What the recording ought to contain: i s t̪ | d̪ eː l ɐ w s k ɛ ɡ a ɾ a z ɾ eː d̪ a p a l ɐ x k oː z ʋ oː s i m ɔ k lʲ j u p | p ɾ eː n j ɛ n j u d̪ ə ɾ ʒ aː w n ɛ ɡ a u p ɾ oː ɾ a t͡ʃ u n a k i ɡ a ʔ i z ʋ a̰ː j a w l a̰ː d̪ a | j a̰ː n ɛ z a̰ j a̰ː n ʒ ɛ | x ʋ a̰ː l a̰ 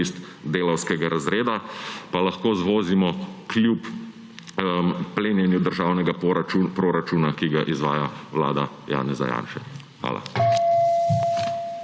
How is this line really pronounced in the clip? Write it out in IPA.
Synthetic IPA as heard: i s t̪ | d̪ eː l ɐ w s k ɛ ɡ a ɾ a z ɾ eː d̪ a p a l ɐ x k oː z ʋ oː z i m ɔ k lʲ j u p | p l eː n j ɛ n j u d̪ ə ɾ ʒ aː w n ɛ ɡ a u p ɾ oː ɾ a t͡ʃ u n a k i ɡ a ʔ i z ʋ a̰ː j a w l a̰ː d̪ a | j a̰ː n ɛ z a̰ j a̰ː n ʃ ɛ | x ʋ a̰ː l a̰